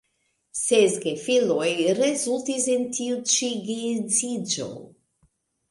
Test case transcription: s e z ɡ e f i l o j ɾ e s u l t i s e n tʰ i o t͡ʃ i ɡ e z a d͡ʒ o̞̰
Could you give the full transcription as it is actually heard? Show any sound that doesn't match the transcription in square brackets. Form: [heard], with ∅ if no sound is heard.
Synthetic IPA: s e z ɡ e f i l o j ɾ e [z] u l t i s e n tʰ i [u] t͡ʃ i ɡ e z [i] d͡ʒ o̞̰